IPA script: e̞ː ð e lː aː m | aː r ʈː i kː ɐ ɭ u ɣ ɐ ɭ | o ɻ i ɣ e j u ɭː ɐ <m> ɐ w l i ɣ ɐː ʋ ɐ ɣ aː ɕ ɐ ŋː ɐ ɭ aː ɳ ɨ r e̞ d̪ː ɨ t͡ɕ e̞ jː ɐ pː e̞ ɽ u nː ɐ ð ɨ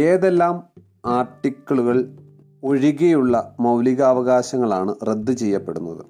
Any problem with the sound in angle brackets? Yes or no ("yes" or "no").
no